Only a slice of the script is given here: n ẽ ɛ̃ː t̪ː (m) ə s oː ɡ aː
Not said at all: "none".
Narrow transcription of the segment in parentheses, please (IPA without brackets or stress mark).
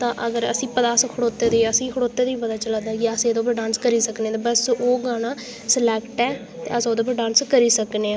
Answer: b